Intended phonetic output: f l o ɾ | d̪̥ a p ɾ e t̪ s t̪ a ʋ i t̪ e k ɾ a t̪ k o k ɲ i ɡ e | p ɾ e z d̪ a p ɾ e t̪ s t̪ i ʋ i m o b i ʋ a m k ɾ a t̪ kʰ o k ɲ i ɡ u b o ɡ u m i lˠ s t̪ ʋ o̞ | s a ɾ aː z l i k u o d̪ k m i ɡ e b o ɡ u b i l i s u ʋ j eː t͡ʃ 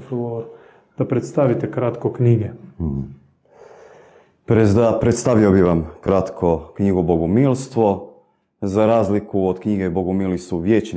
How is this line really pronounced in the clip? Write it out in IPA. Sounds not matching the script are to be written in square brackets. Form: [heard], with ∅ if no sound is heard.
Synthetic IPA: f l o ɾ | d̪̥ a p ɾ e t̪ s t̪ a ʋ i t̪ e k ɾ a t̪ k o k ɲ i ɡ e | p ɾ e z d̪ a p ɾ e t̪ s t̪ [a] ʋ i [∅] o b i ʋ a m k ɾ a t̪ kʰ o k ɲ i ɡ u b o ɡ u m i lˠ s t̪ ʋ o̞ | [z] a ɾ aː z l i k u o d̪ k [ɲ] i ɡ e b o ɡ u [m] i l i s u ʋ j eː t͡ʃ